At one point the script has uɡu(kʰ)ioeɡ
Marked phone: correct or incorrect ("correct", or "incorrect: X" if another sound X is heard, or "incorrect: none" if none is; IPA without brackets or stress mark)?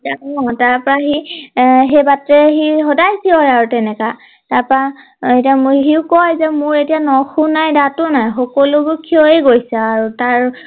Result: correct